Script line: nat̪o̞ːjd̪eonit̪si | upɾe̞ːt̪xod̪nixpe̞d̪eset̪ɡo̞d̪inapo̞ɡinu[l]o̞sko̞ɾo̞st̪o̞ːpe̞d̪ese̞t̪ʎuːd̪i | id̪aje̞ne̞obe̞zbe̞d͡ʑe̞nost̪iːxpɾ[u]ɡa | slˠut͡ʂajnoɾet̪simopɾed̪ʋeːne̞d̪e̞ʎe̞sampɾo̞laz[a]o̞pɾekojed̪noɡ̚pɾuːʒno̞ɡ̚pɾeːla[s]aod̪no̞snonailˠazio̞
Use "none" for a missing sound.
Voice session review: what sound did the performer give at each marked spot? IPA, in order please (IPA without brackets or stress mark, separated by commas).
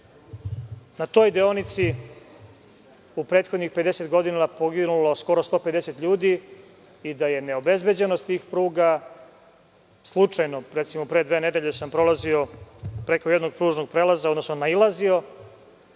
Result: l, uː, i, z